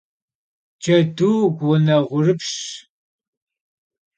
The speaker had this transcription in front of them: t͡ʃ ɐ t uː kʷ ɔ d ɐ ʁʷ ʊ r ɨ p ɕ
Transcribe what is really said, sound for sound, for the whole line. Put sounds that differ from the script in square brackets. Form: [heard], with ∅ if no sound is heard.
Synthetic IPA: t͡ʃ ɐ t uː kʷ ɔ [n] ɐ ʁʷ ʊ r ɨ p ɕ